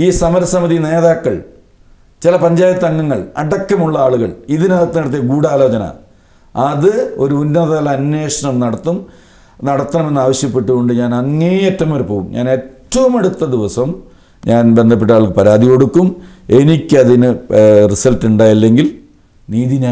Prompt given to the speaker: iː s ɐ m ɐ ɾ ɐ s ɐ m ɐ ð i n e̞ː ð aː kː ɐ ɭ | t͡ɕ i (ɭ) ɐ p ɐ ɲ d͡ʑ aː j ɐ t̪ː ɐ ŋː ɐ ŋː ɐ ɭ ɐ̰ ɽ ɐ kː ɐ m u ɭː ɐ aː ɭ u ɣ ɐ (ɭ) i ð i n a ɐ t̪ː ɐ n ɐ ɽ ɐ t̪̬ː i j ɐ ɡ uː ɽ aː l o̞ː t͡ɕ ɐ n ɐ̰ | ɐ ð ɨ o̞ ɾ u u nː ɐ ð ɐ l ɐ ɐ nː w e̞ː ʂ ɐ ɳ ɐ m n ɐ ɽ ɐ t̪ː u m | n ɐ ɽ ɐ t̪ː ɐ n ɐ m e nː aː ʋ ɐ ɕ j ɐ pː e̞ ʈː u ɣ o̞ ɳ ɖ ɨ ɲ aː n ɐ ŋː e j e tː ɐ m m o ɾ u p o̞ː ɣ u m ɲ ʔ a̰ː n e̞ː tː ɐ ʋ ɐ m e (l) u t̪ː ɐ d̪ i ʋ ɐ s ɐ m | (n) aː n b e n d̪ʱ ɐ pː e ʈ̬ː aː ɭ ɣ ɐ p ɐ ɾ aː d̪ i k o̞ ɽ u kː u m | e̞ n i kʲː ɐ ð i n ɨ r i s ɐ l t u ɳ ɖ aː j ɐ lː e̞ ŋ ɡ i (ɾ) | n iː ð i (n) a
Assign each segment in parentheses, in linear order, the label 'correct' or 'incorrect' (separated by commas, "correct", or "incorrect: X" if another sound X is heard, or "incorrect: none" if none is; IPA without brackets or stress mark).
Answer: incorrect: l, correct, incorrect: ɽ, incorrect: ɲ, incorrect: l, correct